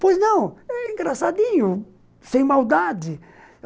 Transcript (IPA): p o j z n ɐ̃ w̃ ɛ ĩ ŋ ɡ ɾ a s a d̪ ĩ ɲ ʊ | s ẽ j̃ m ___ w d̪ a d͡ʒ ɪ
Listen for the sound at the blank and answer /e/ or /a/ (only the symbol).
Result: a